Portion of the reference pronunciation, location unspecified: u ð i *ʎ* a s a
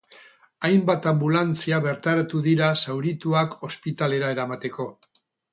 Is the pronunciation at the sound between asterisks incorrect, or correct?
incorrect